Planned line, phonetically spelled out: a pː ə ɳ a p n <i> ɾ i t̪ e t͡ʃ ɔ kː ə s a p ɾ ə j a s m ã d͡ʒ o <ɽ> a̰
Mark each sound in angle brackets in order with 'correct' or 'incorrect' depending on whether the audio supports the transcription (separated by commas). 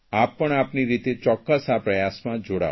correct, correct